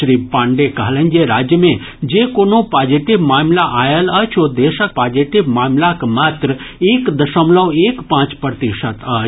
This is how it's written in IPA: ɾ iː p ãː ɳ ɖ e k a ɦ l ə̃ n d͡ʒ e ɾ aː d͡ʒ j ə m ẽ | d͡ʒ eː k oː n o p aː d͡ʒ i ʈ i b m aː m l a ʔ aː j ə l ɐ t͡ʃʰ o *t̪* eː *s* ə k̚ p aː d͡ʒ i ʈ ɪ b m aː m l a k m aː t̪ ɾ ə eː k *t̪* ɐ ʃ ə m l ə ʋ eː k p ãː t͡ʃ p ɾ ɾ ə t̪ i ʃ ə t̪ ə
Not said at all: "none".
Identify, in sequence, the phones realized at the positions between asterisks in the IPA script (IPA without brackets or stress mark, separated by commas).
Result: d̪, ʃ, d̪